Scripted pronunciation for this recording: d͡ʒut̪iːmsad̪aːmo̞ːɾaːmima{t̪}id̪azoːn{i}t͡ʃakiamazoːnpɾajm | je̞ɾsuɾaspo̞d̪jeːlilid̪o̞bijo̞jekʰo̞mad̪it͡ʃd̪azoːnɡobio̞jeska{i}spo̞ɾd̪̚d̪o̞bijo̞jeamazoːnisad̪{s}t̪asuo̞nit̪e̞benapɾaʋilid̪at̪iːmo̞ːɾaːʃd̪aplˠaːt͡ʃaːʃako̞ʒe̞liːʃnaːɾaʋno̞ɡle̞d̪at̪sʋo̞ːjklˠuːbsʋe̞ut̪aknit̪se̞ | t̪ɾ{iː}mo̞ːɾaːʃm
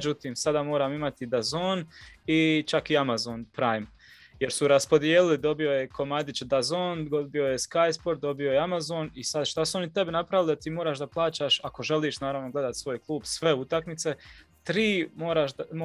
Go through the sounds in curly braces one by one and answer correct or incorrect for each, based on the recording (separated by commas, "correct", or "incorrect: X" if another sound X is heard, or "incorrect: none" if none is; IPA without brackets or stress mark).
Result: correct, correct, incorrect: j, incorrect: ʃ, correct